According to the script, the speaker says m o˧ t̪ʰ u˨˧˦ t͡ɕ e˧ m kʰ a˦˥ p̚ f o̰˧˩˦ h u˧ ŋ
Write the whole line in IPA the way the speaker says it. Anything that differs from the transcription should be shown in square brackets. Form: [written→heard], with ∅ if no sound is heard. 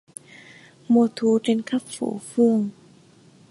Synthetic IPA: m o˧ t̪ʰ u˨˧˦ t͡ɕ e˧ [m→n] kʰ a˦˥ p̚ f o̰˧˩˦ [h→f] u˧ ŋ